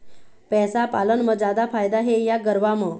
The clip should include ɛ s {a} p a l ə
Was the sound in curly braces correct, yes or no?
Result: yes